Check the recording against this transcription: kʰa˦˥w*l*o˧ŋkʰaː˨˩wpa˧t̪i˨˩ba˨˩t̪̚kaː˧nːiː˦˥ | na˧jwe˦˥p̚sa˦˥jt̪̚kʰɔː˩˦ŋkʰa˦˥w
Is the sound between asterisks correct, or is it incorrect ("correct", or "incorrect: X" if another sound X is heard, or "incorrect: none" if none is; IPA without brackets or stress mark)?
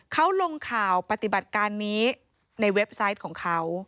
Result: correct